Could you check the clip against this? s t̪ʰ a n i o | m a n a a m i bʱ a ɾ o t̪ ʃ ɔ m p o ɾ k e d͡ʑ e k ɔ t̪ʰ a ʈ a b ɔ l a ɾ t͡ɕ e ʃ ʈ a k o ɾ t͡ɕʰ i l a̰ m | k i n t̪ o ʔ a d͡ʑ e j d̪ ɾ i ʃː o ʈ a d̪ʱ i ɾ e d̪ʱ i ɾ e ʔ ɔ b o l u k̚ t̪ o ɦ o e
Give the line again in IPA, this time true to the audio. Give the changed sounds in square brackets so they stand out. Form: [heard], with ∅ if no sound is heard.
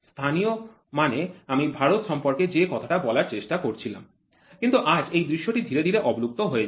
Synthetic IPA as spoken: s t̪ʰ a n i o | m a n [e] a m i bʱ a ɾ o t̪ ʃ ɔ m p o ɾ k e d͡ʑ e k ɔ t̪ʰ a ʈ a b ɔ l a ɾ t͡ɕ e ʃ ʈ a k o ɾ t͡ɕʰ i l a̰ m | k i n t̪ [u] ʔ a d͡ʑ e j d̪ ɾ i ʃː o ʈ [i] d̪ʱ i ɾ e d̪ʱ i ɾ e ʔ ɔ b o l u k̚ t̪ o ɦ o e